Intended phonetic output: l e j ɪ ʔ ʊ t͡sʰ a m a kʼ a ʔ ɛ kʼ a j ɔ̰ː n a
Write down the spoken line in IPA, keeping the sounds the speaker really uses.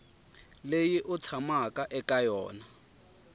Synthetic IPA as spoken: l e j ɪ ʔ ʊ t͡sʰ a m a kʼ a ʔ ɛ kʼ a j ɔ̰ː n a

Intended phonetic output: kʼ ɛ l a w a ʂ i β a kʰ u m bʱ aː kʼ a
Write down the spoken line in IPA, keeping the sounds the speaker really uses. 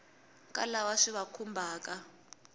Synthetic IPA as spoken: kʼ a l a w a ʂ i β a kʰ u m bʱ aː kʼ a

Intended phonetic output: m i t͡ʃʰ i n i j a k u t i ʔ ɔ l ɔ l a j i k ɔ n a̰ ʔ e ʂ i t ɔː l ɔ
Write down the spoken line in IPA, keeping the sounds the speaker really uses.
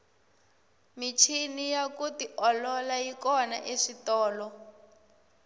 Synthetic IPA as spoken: m i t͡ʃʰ i n i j a k u t i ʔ ɔ l ɔ l a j i k ɔ n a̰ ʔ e ʂ i t ɔː l ɔ

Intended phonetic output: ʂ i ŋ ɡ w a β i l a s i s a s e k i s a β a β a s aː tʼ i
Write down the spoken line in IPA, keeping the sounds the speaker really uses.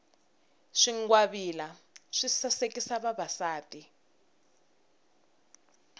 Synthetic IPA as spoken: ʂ i ŋ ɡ w a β i l a ʂ i s a s e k i s a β a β a s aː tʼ i

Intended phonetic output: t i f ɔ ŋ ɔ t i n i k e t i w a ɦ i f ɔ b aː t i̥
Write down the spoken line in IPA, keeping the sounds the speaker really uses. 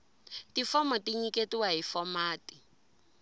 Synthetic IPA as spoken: t i f ɔ m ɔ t i ɲ i k e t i w a ɦ i f ɔ m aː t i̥

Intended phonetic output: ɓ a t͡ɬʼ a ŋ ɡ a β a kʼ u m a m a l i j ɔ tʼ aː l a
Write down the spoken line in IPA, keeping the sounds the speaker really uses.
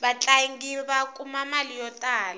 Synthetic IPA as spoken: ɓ a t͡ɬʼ a ŋ ɡ i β a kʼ u m a m a l i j ɔ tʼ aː l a

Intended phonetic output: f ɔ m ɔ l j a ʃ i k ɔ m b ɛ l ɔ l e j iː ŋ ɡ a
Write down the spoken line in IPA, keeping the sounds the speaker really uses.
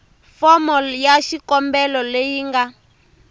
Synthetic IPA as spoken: f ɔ m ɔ l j a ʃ i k ɔ m b ɛ l ɔ l e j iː ŋ ɡ a

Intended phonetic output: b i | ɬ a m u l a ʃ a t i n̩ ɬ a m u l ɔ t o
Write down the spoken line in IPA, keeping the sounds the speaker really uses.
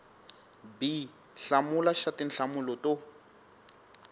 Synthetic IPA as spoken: b i | ɬ a m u l a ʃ a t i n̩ ɬ a m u l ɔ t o

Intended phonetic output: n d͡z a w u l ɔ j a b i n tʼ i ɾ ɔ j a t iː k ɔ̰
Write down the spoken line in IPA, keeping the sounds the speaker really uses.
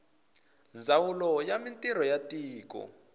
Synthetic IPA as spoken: n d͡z a w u l ɔ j a m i n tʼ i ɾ ɔ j a t iː k ɔ̰

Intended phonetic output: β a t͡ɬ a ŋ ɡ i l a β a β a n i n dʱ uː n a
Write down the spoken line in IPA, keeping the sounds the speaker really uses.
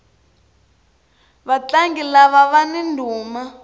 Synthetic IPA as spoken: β a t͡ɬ a ŋ ɡ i l a β a β a n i n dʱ uː m a

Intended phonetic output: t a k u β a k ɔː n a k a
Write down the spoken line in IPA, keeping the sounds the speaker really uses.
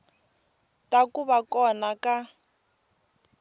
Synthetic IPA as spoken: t a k u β a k ɔ n a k a

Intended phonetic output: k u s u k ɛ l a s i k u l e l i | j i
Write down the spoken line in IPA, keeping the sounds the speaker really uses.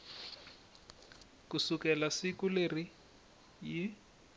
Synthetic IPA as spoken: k u s u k ɛ l a s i k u l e r i | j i

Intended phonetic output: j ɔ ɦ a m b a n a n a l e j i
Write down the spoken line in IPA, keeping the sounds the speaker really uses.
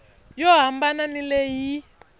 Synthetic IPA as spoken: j ɔ ɦ a m b a n a n i l e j i

